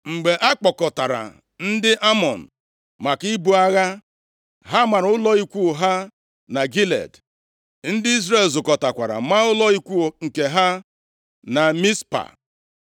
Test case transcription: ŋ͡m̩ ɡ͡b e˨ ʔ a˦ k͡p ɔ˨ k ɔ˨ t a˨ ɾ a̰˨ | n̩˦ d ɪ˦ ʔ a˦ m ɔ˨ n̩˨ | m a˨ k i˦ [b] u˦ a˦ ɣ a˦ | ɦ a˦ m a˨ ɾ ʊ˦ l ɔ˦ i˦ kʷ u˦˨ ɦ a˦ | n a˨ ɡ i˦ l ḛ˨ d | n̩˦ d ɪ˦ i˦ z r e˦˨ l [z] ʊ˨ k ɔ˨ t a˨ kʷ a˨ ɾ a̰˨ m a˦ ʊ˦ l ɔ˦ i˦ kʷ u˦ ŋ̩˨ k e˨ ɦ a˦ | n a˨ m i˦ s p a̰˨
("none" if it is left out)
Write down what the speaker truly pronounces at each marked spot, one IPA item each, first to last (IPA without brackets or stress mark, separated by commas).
b, z